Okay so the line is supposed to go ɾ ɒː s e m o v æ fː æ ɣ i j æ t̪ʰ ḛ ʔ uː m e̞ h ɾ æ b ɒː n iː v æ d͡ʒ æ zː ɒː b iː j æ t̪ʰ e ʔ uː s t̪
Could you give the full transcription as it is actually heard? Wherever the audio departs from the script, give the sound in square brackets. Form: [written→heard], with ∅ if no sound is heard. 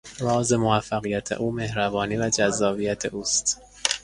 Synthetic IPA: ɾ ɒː [s→z] e m o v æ fː æ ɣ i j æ t̪ʰ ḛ ʔ uː m e̞ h ɾ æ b ɒː n iː v æ d͡ʒ æ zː ɒː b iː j æ t̪ʰ e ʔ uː s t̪